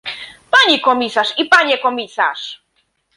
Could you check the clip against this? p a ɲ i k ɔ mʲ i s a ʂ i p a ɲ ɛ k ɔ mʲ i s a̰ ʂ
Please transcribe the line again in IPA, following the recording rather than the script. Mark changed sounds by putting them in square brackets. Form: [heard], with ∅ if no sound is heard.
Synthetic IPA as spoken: p a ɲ i k ɔ mʲ i s a ʂ i p a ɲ ɛ k ɔ mʲ i s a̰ ʂ